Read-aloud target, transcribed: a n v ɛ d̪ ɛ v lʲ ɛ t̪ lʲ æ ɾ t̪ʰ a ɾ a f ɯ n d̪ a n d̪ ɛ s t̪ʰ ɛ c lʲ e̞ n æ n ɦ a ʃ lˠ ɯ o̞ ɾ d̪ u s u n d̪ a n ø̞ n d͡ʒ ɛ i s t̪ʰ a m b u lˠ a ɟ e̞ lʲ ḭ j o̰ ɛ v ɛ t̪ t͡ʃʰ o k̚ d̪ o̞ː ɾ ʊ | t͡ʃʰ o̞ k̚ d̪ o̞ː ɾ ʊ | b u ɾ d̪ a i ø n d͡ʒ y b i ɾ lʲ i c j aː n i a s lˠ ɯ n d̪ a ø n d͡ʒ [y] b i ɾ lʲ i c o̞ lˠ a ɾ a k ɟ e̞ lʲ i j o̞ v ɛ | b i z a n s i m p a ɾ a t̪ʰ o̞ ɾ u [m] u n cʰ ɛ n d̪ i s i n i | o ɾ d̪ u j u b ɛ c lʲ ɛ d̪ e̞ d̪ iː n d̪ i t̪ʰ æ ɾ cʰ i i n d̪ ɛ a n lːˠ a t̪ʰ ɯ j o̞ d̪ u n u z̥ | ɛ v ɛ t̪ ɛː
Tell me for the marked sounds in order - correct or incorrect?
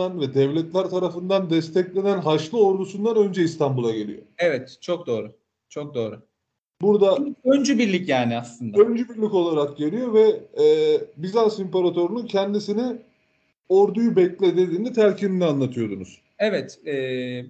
correct, incorrect

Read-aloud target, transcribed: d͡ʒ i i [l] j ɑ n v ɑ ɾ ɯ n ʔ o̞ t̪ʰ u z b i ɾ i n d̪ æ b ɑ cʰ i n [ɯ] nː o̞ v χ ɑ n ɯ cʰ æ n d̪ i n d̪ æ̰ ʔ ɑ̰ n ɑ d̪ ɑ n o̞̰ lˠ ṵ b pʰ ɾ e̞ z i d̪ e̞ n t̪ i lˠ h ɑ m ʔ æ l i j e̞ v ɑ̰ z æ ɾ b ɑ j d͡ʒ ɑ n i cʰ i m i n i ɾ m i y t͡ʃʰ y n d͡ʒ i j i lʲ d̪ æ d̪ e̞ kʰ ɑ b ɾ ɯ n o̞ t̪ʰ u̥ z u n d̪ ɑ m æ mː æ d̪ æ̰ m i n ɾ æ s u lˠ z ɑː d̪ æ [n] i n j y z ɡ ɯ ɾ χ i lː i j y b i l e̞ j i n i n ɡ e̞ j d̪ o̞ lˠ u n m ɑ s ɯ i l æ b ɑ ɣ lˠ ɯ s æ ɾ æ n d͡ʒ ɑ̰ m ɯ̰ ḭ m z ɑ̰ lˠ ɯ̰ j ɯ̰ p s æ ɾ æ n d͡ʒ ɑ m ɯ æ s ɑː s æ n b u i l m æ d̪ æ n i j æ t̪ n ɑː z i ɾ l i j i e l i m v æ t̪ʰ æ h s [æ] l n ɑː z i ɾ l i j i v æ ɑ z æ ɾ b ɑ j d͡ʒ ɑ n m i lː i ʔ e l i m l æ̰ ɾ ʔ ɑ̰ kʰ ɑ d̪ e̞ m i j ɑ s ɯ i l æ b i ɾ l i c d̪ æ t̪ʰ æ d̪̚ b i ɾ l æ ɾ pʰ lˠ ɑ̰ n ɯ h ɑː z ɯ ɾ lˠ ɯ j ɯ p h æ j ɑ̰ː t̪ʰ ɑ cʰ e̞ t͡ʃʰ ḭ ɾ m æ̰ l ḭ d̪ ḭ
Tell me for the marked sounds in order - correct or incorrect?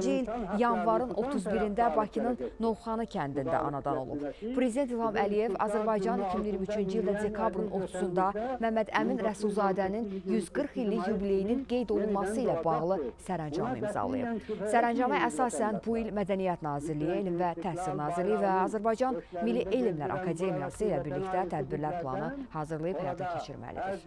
correct, correct, correct, incorrect

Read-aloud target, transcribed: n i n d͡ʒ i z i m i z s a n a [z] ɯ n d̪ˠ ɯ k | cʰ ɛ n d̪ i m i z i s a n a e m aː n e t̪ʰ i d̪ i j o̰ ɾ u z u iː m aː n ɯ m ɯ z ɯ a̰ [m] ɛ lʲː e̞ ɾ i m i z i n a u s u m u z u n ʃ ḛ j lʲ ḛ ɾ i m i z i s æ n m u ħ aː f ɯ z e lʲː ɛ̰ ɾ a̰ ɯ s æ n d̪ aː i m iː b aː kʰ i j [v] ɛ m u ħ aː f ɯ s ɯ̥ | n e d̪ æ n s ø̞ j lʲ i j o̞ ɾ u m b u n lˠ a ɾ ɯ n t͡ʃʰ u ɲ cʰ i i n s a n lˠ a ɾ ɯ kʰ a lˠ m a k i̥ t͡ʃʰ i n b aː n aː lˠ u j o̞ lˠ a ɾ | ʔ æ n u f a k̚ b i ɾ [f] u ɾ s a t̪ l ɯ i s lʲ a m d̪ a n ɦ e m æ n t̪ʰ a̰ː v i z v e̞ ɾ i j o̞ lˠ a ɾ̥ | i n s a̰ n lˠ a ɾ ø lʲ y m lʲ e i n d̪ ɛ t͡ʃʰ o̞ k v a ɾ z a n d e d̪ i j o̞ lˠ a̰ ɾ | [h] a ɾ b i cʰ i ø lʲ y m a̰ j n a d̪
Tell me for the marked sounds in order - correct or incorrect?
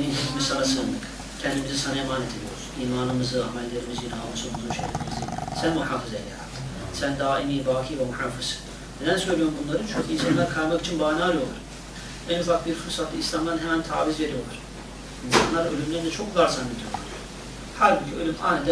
incorrect, correct, correct, correct, correct

